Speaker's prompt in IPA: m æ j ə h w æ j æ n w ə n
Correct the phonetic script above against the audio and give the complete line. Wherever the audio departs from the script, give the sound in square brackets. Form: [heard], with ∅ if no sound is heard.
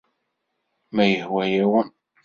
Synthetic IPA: m æ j ə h w æ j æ [∅] w ə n